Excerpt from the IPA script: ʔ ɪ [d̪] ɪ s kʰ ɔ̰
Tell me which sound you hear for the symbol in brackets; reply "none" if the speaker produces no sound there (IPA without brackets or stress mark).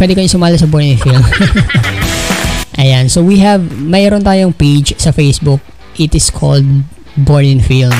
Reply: t̪